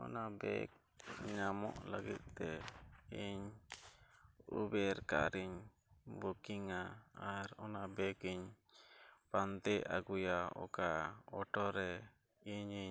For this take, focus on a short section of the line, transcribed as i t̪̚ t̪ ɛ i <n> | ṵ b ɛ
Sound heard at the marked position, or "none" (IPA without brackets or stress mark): ɲ